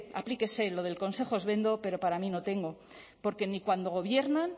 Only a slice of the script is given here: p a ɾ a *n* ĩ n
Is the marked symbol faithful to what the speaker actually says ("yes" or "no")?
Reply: no